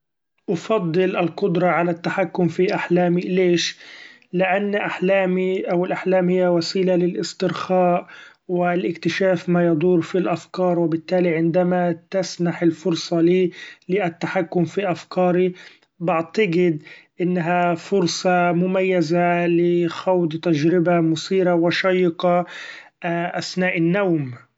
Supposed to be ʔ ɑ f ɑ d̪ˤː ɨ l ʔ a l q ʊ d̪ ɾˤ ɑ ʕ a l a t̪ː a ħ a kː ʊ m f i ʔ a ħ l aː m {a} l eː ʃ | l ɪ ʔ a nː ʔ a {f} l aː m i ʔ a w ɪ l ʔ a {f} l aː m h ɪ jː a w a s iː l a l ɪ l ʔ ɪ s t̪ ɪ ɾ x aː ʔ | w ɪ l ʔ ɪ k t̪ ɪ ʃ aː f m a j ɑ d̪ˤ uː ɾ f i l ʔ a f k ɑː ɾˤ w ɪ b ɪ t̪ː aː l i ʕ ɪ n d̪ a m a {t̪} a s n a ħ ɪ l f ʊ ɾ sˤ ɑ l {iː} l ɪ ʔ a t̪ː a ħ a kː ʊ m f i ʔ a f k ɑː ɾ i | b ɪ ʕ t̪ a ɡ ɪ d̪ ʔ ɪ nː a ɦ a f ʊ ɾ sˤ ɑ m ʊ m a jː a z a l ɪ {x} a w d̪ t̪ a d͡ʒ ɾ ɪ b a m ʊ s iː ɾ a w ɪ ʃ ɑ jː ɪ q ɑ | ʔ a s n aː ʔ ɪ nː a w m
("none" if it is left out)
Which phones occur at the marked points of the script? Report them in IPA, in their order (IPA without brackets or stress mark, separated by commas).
i, ħ, ħ, t̪, iː, x